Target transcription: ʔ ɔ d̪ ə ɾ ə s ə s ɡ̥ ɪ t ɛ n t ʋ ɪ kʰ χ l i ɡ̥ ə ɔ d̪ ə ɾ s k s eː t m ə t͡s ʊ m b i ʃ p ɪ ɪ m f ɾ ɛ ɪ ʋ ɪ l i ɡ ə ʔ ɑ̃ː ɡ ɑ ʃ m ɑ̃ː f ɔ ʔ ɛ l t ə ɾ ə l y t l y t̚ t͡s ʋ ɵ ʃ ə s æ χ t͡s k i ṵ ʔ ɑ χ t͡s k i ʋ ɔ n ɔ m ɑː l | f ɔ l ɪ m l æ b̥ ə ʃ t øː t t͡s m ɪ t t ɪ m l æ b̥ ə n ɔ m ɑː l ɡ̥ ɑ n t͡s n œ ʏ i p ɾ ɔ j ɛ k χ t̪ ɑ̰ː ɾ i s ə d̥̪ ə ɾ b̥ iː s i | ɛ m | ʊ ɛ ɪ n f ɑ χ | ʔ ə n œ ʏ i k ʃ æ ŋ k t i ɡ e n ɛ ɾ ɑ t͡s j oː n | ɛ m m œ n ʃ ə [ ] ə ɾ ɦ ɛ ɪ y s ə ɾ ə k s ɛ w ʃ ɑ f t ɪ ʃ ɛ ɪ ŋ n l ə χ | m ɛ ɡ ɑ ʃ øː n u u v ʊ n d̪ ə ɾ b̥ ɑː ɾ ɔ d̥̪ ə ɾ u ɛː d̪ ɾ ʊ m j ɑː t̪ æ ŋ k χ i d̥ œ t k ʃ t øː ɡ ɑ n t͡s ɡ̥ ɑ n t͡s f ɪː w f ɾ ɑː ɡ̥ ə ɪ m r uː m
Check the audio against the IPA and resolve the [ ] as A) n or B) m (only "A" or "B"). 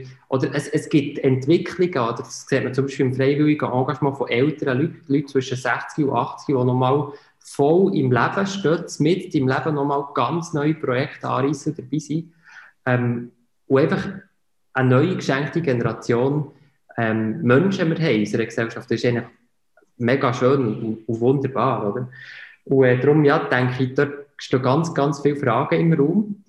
B